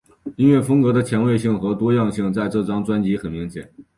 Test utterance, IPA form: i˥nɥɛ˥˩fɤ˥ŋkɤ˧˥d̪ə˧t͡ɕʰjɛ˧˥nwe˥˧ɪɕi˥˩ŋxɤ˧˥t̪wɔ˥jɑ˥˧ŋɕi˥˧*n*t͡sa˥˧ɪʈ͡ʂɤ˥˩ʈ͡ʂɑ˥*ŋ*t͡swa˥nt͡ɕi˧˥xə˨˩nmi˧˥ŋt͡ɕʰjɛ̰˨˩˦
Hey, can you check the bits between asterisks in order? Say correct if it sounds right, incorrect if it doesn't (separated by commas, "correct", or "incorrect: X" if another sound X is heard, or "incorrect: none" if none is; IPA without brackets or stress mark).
incorrect: ŋ, correct